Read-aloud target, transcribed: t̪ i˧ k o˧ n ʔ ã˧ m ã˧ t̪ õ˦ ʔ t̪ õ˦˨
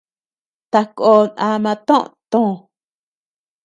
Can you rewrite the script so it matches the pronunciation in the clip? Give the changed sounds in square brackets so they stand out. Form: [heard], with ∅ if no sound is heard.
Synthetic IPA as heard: t̪ [a˧] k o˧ n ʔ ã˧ m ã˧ t̪ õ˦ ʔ t̪ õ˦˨